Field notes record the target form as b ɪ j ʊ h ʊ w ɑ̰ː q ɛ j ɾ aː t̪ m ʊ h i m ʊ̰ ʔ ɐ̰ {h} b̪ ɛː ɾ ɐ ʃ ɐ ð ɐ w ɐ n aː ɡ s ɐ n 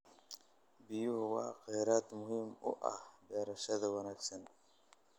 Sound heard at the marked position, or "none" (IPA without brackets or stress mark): h